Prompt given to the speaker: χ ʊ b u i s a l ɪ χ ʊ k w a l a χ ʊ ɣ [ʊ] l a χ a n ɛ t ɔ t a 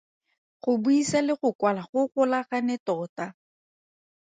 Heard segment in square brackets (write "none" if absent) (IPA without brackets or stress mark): ʊ